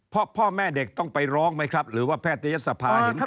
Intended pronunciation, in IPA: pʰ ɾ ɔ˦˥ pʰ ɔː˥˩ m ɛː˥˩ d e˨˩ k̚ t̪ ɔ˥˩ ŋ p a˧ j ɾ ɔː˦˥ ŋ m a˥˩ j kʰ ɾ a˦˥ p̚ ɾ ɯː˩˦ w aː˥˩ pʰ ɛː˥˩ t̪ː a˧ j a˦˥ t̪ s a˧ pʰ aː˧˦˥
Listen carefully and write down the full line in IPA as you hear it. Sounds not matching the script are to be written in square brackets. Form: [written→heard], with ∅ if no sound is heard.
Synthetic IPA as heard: pʰ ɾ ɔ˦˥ pʰ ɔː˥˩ m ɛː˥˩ d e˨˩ k̚ t̪ ɔ˥˩ ŋ p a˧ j ɾ ɔː˦˥ ŋ m [a˥˩→a˦˥] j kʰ ɾ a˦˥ p̚ ɾ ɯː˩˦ w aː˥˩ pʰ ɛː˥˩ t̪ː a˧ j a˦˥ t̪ s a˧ pʰ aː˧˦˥